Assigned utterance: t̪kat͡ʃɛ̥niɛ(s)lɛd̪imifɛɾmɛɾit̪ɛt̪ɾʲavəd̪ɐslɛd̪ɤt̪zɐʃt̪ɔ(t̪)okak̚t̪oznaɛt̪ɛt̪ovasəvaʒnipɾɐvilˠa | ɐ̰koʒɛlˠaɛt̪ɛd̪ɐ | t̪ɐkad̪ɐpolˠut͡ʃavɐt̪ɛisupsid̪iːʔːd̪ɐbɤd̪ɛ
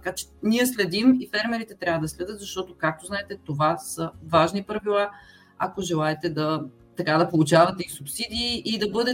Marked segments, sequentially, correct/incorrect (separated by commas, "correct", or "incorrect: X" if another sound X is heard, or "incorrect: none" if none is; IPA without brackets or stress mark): correct, correct